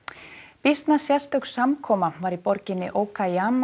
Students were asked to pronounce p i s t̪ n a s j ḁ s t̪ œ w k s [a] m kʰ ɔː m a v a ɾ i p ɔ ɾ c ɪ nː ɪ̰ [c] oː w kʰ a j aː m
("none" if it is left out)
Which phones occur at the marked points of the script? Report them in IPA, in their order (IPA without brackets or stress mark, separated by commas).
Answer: a, ʔ